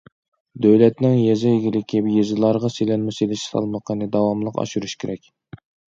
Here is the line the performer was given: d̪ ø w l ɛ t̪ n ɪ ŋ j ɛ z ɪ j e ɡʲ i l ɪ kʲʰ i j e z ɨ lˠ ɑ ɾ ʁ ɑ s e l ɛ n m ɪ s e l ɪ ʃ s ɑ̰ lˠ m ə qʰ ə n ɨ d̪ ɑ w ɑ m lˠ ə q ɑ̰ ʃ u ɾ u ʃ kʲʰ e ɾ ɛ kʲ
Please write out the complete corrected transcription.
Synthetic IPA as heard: d̪ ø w l ɛ t̪ n ɪ ŋ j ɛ z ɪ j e ɡʲ i l ɪ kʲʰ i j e z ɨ lˠ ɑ ɾ ʁ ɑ s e l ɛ n m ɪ s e l ɪ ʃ s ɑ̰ lˠ m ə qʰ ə n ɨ d̪ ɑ w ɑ m lˠ ə q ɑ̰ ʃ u ɾ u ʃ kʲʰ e ɾ ɛ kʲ